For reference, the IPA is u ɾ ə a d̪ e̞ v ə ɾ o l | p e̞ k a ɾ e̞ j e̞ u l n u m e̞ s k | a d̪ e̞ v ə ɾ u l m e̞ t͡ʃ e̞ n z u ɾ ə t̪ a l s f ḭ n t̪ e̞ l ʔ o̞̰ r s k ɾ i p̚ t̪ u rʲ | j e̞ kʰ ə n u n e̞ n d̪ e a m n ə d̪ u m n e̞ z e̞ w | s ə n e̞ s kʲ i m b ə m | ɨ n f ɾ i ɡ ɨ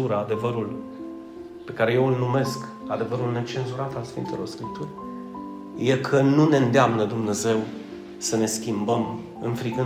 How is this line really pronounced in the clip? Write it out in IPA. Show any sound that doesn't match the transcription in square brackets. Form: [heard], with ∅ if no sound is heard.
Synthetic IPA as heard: u ɾ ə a d̪ e̞ v ə ɾ [u] l | p e̞ k a ɾ e̞ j e̞ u l n u m e̞ s k | a d̪ e̞ v ə ɾ u l [n] e̞ t͡ʃ e̞ n z u ɾ [a] t̪ a l s f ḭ n t̪ e̞ l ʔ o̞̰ r s k ɾ i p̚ t̪ u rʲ | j e̞ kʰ ə n u n e̞ n d̪ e a m n ə d̪ u m n e̞ z e̞ w | s ə n e̞ s kʲ i m b ə m | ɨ n f ɾ i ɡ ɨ